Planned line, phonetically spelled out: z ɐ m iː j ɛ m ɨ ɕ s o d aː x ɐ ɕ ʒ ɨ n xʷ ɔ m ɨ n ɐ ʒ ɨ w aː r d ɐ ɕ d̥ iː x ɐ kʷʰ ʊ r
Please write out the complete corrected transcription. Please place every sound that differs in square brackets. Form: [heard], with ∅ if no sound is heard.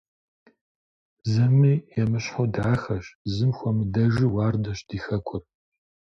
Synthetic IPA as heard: z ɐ m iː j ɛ m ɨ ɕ [ħ] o d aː x ɐ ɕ [z] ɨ [m] xʷ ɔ m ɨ [d] ɐ ʒ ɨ w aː r d ɐ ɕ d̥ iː x ɐ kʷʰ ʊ r